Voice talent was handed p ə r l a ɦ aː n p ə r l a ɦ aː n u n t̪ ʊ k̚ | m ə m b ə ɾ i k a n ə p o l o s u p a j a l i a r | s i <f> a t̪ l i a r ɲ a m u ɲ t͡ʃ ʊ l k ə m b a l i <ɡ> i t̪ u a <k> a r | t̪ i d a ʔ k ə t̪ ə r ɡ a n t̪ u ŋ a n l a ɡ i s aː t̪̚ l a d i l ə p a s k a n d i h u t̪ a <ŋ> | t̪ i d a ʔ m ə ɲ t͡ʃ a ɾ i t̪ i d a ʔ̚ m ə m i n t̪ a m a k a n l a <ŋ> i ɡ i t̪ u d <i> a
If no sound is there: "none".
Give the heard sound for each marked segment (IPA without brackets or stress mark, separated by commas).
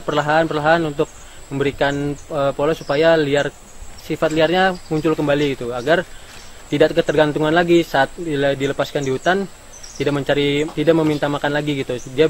f, ɡ, ɡ, n, ɡ, i